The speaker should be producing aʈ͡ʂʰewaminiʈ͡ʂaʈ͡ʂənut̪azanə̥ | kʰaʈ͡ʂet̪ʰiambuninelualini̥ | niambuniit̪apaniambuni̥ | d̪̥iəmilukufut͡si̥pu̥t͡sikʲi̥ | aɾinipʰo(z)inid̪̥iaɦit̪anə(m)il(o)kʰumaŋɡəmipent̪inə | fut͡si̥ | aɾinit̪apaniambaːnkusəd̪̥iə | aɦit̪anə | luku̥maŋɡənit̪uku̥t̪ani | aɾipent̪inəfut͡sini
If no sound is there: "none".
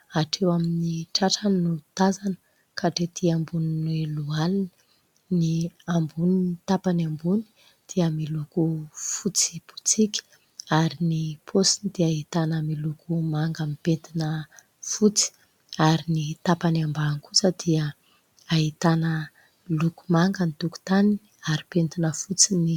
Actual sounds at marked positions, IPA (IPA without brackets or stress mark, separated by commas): s, m, u